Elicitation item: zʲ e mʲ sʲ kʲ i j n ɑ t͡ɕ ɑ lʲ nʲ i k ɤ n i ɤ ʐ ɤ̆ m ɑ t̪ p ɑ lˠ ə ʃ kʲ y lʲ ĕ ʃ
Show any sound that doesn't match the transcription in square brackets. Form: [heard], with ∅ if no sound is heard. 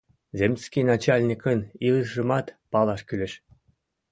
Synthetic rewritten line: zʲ e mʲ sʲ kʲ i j n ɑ t͡ɕ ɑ lʲ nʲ i k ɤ n i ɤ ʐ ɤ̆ m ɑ t̪ p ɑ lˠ [ɑ] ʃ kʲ y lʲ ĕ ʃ